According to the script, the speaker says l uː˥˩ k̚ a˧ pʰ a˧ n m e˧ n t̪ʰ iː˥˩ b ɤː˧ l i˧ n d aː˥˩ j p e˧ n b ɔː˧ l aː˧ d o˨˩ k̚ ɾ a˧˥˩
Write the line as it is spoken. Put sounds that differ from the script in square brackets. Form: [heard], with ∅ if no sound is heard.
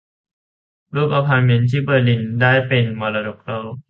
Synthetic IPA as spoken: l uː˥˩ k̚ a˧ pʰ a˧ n m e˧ n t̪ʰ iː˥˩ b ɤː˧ l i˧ n d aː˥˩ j p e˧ n [m] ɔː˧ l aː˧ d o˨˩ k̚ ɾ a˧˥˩